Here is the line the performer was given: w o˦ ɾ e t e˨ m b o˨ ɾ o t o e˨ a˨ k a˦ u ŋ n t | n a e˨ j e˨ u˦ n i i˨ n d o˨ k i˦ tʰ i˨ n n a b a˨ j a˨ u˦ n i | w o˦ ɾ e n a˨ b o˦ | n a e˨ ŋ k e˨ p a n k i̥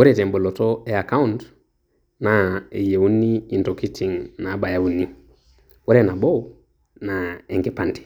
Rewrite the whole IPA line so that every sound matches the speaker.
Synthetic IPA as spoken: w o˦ ɾ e t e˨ m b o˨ l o t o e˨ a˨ k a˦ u n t | n a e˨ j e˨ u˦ n i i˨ n t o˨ k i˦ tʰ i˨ ŋ n a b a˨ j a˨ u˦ n i | w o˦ ɾ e n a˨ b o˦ | n a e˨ ŋ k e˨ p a n t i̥